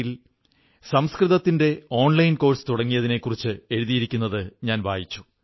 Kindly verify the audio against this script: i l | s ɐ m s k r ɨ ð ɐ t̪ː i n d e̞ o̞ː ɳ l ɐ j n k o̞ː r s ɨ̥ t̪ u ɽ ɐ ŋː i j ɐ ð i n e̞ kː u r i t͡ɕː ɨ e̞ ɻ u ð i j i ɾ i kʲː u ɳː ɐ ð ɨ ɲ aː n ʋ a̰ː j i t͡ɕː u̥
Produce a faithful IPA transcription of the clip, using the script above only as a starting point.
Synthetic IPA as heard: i l | s ɐ m s k r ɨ ð ɐ t̪ː i n d e̞ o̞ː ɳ l ɐ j n k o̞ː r s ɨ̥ t̪ u ɽ ɐ ŋː i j ɐ ð i n e̞ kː u r i t͡ɕː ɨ e̞ ɻ u ð i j i ɾ i kʲː u nː ɐ ð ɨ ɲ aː n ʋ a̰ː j i t͡ɕː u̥